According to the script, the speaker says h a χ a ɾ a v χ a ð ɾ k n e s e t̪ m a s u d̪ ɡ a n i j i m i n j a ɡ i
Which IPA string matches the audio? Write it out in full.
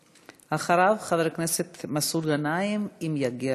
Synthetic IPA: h a χ a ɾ a v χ a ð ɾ k n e s e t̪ m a s u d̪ ɡ a n a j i m i m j a ɡ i

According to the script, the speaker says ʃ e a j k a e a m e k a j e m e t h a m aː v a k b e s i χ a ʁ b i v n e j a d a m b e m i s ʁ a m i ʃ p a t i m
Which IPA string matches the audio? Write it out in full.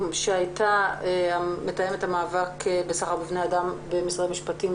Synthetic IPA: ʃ e a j t a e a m e t a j e m e t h a m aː v a k b e s a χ a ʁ b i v n e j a d a m b e m i s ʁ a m i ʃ p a t i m

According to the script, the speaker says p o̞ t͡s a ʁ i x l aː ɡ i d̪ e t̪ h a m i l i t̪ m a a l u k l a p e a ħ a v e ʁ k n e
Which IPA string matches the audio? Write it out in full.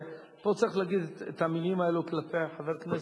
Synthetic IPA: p o̞ t͡s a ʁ i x l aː ɡ i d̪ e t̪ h a m i l i m a e l u k l a p e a ħ a v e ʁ k n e

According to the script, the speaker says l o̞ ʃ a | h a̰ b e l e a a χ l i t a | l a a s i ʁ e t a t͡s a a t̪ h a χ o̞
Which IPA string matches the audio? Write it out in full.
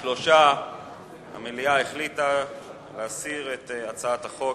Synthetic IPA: l o̞ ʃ a | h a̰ m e l i a e χ l i t a | l e a s i ʁ e t a t͡s a a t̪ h a χ o̞

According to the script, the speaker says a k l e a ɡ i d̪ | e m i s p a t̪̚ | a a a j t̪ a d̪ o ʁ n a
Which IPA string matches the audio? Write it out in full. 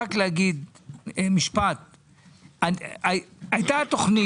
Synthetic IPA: a k l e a ɡ i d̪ | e m i ʃ p a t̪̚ | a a a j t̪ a t̪ o χ n i

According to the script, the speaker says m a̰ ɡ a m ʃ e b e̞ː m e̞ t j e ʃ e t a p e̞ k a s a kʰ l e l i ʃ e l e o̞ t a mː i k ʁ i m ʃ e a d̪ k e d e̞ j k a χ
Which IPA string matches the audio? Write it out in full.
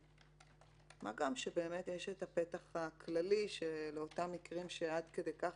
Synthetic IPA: m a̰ ɡ a m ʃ e b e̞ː m e̞ t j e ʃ e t a p e̞ t a χ a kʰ l a l i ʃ e l e o̞ t a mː i k ʁ i m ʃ e a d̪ k e d e̞ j k a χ

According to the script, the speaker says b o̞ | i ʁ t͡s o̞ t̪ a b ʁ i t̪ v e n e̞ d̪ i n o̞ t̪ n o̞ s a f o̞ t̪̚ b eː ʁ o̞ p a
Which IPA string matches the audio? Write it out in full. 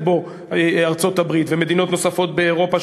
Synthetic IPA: b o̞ | a ʁ t͡s o̞ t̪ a b ʁ i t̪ v e m e̞ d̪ i n o̞ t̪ n o̞ s a f o̞ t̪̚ b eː ʁ o̞ p a

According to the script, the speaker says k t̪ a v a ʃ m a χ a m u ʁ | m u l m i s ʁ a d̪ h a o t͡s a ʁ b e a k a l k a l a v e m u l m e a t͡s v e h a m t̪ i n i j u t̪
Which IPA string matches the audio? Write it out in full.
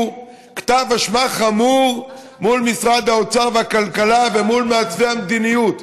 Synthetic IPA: k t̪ a v a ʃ m a χ a m u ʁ | m u l m i s ʁ a d̪ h a o t͡s a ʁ v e a k a l k a l a v e m u l m e a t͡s v e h a m d̪ i n i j u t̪

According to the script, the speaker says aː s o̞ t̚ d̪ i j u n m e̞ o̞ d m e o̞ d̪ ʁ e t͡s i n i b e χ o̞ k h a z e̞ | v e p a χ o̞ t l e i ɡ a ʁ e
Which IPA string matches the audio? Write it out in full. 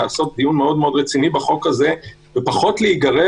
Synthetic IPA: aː s o̞ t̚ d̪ i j u n m e̞ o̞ d m e o̞ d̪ ʁ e t͡s i n i b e χ o̞ k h a z e̞ | v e p a χ o̞ t l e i ɡ a ʁ e

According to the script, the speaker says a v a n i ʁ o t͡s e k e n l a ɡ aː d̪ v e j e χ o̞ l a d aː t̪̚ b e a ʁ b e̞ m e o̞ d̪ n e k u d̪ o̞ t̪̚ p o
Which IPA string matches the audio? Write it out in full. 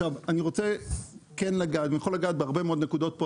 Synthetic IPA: a v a n i ʁ o t͡s e k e n l a ɡ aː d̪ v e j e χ o̞ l a ɡ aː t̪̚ b e a ʁ b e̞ m e o̞ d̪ n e k u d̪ o̞ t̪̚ p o

